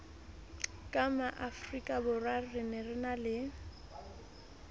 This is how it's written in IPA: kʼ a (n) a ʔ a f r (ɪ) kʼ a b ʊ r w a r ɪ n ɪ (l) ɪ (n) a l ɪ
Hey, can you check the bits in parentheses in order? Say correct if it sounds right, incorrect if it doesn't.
incorrect, incorrect, incorrect, correct

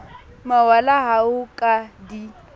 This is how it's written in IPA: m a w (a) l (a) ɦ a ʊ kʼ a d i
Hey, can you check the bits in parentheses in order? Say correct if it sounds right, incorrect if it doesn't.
correct, correct

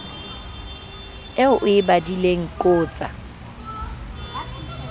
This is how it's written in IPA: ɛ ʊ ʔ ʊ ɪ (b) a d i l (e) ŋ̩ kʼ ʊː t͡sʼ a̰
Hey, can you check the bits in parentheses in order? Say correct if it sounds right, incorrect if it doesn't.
correct, correct

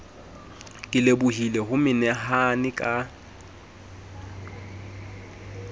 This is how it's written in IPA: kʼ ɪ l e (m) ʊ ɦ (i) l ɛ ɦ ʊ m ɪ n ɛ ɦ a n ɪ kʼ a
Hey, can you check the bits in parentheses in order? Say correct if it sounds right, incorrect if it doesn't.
incorrect, correct

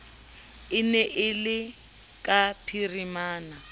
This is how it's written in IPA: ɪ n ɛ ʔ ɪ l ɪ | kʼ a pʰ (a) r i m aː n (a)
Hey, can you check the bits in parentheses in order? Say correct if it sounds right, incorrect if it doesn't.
incorrect, correct

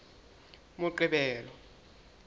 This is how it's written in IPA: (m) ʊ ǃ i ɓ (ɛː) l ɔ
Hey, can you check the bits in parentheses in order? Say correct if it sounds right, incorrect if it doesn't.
correct, correct

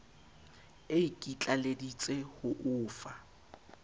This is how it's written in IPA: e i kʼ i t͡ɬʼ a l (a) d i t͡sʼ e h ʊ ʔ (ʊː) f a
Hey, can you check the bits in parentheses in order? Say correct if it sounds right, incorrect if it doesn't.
incorrect, correct

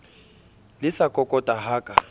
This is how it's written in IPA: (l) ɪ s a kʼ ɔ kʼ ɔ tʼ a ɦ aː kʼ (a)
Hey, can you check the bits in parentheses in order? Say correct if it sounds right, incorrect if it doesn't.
correct, correct

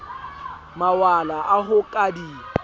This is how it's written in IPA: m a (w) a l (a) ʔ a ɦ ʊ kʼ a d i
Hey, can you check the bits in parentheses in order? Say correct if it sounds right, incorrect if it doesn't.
correct, correct

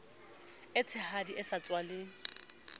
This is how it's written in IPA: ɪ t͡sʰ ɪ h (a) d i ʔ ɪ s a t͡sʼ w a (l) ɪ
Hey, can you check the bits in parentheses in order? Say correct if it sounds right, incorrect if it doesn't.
correct, correct

